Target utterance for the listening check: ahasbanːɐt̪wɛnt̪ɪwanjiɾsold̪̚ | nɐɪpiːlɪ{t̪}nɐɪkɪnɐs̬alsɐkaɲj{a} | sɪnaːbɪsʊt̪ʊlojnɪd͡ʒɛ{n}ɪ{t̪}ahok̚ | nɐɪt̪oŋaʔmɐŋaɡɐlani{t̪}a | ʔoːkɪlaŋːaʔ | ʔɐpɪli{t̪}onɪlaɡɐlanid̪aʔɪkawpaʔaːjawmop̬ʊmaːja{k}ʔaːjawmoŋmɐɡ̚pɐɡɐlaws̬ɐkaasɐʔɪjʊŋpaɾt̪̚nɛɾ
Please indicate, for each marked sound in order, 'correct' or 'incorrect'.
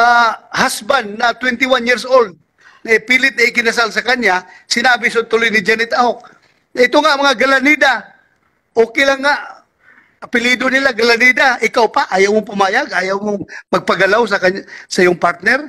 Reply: correct, correct, correct, correct, incorrect: d̪, incorrect: d̪, incorrect: ɡ

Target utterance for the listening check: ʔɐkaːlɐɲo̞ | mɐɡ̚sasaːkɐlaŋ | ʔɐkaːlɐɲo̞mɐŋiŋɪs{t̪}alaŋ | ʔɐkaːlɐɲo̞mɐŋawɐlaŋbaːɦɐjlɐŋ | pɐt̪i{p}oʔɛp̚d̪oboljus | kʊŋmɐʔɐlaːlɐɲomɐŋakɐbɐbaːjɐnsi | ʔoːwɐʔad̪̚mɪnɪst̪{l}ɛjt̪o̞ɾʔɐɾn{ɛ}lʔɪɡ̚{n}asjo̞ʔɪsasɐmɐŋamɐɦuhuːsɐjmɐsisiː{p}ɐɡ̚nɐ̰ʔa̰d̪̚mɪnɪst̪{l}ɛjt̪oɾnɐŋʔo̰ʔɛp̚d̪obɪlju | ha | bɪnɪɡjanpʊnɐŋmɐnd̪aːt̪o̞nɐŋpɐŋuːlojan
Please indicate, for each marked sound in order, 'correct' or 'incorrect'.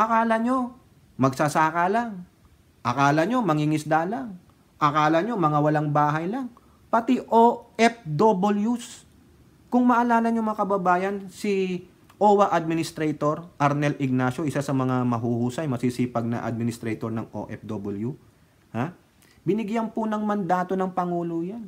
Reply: incorrect: d̪, incorrect: ʔ, incorrect: ɾ, correct, correct, correct, incorrect: ɾ

